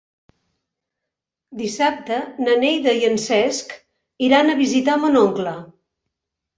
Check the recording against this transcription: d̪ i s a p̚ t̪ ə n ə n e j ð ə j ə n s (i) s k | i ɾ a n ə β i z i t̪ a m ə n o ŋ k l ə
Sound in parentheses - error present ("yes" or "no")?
yes